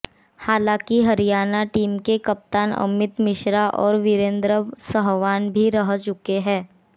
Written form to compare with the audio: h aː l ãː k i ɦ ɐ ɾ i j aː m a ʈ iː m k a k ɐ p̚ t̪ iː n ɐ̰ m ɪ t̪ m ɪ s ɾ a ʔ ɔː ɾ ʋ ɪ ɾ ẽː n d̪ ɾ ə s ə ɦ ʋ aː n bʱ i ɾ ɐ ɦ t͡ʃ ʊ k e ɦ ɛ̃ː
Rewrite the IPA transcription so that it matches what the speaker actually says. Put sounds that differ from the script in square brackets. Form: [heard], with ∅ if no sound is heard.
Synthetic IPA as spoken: h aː l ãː k i ɦ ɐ ɾ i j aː [n] a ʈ iː m k [e] k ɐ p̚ t̪ [aː] n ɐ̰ m ɪ t̪ m ɪ [ʃ] ɾ a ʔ ɔː ɾ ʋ ɪ ɾ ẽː n d̪ ɾ ə s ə ɦ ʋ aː n bʱ i ɾ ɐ ɦ t͡ʃ ʊ k e ɦ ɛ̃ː